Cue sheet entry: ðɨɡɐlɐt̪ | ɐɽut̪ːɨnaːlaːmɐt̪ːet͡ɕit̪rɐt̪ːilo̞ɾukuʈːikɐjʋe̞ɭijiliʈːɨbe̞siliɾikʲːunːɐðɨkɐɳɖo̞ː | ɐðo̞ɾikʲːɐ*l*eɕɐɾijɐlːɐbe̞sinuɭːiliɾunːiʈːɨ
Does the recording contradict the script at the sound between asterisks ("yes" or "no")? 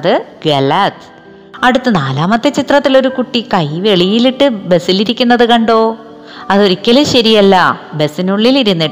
no